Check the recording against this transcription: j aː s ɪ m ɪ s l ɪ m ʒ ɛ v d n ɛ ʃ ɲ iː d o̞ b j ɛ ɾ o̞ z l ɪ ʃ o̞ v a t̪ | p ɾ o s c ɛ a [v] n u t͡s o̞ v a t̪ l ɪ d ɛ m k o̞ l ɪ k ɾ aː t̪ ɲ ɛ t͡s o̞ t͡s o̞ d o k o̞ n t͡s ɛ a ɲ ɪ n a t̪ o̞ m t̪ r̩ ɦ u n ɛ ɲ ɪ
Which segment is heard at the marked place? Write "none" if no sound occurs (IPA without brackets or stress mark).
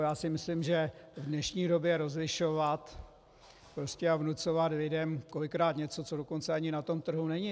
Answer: v